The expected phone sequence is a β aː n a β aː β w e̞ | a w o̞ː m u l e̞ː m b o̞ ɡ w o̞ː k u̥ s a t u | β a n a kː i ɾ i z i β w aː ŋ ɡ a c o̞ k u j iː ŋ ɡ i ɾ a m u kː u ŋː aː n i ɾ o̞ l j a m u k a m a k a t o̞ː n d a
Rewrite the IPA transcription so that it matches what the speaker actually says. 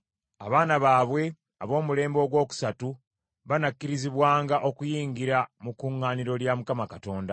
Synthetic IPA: a β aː n a β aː β w e̞ | a β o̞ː m u l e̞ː m b o̞ ɡ w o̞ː k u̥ s a t u | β a n a kː i ɾ i z i β w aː ŋ ɡ a ʔ o̞ k u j iː ŋ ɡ i ɾ a m u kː u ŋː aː n i ɾ o̞ l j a m u k a m a k a t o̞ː n d a

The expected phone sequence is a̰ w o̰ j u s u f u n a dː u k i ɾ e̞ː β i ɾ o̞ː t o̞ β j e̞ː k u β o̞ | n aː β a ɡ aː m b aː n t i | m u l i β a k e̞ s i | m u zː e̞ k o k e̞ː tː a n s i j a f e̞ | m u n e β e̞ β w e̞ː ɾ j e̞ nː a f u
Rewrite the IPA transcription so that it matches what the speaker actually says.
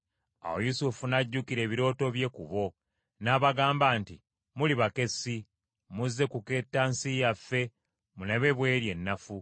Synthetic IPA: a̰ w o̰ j u s u f u n a ɟː u k i ɾ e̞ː β i ɾ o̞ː t o̞ β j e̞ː k u β o̞ | n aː β a ɡ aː m b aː n t i | m u l i β a k e̞ s i | m u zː e̞ k u k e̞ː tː a n s i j a f e̞ | m u n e β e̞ β w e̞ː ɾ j e̞ nː a f u

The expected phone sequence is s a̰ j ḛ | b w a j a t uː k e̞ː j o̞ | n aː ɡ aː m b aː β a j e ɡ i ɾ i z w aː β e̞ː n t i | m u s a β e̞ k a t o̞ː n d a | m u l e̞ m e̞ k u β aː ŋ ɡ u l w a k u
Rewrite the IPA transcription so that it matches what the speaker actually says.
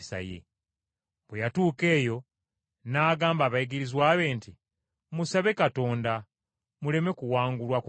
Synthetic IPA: s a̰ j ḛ | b w e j a t uː k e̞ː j o̞ | n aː ɡ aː m b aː β a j i ɡ i ɾ i z w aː β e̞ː n t i | m u s a β e̞ k a t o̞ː n d a | m u l e̞ m e̞ k u w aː ŋ ɡ u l w a k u

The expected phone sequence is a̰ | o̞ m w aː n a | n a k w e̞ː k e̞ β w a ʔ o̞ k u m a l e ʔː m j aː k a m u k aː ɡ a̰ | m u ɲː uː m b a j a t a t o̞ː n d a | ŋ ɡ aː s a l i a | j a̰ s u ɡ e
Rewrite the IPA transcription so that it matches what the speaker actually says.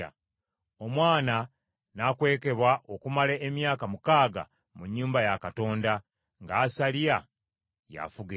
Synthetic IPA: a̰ | o̞ m w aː n a | n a k w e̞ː k e̞ β w a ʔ o̞ k u m a l e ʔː m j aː k a m u k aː ɡ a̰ | m u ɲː uː m b a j a k a t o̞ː n d a | ŋ ɡ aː s a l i a | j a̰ f u ɡ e

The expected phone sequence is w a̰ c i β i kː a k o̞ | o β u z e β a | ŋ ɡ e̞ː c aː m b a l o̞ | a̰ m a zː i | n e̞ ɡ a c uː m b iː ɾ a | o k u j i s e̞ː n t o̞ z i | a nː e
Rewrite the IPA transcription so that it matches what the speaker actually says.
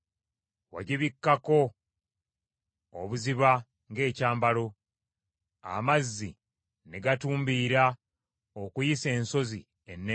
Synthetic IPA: w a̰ ɟ i β i kː a k o̞ | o β u z i β a | ŋ ɡ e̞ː c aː m b a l o̞ | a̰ m a zː i | n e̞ ɡ a t uː m b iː ɾ a | o k u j i s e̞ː n s o̞ z i | e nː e

